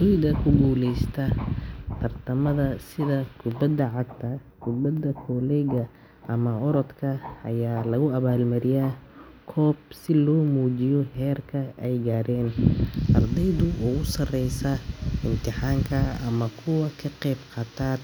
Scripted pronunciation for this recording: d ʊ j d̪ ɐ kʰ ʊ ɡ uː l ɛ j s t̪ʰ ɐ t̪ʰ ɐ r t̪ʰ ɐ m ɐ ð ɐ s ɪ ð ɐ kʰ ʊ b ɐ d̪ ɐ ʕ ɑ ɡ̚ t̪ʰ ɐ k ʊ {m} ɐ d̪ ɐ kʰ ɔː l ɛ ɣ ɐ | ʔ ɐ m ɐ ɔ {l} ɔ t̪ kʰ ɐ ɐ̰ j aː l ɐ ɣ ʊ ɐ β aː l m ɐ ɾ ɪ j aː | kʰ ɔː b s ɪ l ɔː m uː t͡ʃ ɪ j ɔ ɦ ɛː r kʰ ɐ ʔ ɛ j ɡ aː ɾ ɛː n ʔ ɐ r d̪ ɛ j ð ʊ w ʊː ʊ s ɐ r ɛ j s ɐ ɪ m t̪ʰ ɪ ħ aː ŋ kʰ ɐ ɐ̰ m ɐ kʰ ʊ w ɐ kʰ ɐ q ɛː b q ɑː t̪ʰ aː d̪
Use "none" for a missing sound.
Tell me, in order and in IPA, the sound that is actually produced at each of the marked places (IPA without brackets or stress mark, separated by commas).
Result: b, ɾ